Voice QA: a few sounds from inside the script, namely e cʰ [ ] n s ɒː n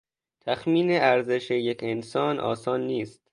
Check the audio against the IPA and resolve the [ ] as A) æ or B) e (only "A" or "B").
B